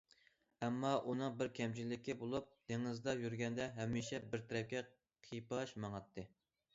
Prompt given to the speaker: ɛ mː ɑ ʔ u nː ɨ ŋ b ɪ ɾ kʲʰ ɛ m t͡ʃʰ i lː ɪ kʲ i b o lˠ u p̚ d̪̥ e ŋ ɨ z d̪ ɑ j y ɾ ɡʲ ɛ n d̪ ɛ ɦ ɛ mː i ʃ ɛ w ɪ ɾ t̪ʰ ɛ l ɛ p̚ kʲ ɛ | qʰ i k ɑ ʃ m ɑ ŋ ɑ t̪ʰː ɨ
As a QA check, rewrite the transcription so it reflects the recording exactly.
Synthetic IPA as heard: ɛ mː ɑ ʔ u n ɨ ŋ b ɪ ɾ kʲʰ ɛ m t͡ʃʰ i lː ɪ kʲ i b o lˠ u p̚ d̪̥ e ŋ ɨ z d̪ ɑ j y ɾ ɡʲ ɛ n d̪ ɛ ɦ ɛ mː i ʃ ɛ b ɪ ɾ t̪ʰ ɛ ɾ ɛ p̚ kʲ ɛ | qʰ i p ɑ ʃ m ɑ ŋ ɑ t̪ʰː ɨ

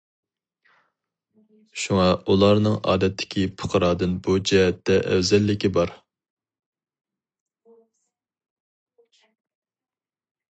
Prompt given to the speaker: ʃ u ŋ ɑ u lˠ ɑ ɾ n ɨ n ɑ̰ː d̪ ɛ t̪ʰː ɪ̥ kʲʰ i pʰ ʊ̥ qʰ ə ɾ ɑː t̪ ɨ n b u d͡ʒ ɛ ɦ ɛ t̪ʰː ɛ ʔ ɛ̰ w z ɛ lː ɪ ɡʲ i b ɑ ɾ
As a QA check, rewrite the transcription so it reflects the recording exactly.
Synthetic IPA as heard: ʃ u ŋ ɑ u lˠ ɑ ɾ n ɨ ŋ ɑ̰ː d̪ ɛ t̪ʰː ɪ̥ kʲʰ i pʰ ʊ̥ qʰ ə ɾ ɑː d̪ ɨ n b u d͡ʒ ɛ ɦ ɛ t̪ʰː ɛ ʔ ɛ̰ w z ɛ lː ɪ kʲ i b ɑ ɾ

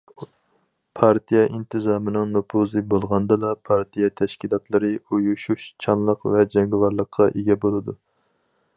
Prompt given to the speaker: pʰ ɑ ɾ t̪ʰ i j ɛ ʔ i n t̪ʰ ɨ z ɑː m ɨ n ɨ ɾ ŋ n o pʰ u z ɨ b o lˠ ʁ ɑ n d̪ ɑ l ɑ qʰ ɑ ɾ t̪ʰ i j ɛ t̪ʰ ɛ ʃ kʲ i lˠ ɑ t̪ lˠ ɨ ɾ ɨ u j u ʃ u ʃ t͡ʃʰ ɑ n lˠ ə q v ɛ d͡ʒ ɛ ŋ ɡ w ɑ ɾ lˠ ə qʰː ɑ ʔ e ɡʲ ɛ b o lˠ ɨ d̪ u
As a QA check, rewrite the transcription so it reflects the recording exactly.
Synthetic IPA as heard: pʰ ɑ ɾ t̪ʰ i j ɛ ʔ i n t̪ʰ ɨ z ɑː m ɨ n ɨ ŋ n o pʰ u z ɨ b o lˠ ʁ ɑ n d̪ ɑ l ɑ pʰ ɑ ɾ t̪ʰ i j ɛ t̪ʰ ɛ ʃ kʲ i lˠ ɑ t̪ lˠ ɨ ɾ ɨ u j u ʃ u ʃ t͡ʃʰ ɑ n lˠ ə q v ɛ d͡ʒ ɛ ŋ ɡ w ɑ ɾ lˠ ə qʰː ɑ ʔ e ɡʲ ɛ b o lˠ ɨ d̪ u

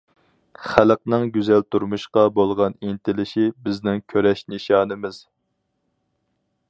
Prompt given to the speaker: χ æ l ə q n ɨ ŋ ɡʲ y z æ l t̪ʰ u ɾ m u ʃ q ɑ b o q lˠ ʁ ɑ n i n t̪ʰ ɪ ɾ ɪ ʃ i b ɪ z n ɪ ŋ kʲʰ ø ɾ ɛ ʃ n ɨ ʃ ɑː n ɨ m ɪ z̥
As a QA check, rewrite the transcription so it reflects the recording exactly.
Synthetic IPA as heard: χ æ l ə q n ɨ ŋ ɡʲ y z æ l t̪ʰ u ɾ m u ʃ q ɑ b o lˠ ʁ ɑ n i n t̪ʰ ɪ l ɪ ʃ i b ɪ z n ɪ ŋ kʲʰ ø ɾ ɛ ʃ n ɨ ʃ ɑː n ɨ m ɪ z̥

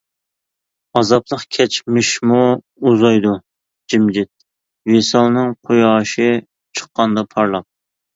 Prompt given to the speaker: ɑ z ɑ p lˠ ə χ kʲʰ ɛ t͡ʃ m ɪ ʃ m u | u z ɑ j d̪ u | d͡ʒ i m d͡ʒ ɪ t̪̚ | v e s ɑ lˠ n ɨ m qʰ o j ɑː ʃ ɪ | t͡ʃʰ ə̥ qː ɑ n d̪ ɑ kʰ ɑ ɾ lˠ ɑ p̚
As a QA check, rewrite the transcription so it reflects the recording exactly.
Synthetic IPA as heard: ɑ z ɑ p lˠ ə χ kʲʰ ɛ t͡ʃ m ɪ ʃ m u | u z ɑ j d̪ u | d͡ʒ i m d͡ʒ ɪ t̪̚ | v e s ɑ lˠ n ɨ ŋ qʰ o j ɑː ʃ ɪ | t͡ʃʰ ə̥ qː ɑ n d̪ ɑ pʰ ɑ ɾ lˠ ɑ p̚

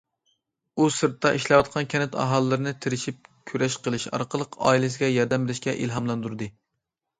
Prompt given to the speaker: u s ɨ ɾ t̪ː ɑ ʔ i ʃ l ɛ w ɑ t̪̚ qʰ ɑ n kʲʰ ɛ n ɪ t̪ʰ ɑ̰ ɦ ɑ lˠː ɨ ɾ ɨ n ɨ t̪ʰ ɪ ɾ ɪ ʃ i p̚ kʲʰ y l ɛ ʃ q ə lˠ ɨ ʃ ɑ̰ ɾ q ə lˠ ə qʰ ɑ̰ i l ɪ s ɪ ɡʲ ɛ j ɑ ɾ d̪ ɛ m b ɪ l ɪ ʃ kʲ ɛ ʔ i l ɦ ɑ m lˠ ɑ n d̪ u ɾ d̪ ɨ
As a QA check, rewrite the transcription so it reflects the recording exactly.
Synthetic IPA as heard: u s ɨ ɾ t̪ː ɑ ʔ i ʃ l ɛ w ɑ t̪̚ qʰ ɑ n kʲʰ ɛ n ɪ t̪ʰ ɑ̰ ɦ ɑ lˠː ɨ ɾ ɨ n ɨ t̪ʰ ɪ ɾ ɪ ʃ i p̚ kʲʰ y ɾ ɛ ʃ q ə lˠ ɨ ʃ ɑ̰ ɾ q ə lˠ ə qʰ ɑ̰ i l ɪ s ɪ ɡʲ ɛ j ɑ ɾ d̪ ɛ m b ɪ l ɪ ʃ kʲ ɛ ʔ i l ɦ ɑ m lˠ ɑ n d̪ u ɾ d̪ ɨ

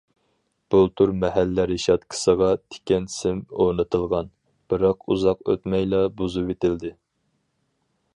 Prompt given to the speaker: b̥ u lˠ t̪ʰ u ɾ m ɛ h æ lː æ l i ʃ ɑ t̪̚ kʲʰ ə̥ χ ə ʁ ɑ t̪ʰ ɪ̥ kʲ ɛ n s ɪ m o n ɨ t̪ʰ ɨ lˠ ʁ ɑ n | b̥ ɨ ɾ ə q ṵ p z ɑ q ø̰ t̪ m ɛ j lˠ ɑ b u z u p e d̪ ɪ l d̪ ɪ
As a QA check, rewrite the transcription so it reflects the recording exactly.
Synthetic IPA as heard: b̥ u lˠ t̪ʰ u ɾ m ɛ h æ lː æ ɾ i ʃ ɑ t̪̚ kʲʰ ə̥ s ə ʁ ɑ t̪ʰ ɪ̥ kʲ ɛ n s ɪ m o n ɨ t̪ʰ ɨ lˠ ʁ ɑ n | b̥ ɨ ɾ ɑ q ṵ z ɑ q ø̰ t̪ m ɛ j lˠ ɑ b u z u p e t̪ ɪ l d̪ ɪ

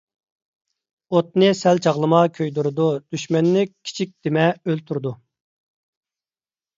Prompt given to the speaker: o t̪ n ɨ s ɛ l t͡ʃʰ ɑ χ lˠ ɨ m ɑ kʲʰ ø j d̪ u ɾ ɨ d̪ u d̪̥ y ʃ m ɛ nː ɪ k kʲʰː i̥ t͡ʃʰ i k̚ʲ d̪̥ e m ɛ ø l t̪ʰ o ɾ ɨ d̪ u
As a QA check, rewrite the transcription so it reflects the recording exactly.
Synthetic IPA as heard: o t̪ n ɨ s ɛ l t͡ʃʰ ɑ ʁ lˠ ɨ m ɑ kʲʰ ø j d̪ u ɾ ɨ d̪ u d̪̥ y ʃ m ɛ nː ɪ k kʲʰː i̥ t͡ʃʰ i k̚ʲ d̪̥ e m ɛ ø l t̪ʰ u ɾ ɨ d̪ u

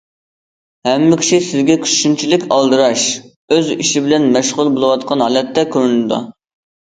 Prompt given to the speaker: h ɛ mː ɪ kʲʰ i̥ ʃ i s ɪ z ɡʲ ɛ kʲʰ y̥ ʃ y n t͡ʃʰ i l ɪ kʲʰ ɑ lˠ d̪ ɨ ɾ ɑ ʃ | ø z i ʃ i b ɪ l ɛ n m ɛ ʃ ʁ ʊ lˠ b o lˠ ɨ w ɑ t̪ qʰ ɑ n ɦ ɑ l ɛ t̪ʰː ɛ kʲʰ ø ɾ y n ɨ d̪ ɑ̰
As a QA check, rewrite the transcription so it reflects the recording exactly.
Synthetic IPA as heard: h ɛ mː ɪ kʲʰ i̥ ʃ i s ɪ z ɡʲ ɛ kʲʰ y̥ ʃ y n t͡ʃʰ i l ɪ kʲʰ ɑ lˠ d̪ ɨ ɾ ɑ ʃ | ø z i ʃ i b ɪ l ɛ n m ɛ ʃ ʁ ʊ lˠ b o lˠ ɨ w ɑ t̪ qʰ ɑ n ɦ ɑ l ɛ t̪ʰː ɛ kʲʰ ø ɾ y n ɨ d̪ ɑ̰

